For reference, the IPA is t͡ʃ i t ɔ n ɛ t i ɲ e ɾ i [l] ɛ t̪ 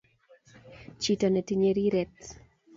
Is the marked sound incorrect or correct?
incorrect: ɾ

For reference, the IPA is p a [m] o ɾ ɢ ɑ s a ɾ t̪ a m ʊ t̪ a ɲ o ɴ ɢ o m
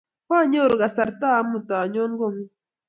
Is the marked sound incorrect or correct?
incorrect: ɲ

